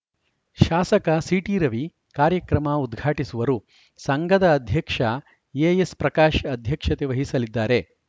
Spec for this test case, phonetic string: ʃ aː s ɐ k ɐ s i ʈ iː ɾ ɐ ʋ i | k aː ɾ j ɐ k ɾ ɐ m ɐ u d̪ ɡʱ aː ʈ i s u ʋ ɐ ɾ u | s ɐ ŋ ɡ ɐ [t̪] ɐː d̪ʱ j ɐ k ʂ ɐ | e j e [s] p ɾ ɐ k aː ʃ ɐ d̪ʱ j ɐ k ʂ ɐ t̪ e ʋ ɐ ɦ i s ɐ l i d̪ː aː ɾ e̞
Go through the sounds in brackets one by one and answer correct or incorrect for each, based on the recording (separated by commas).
incorrect, correct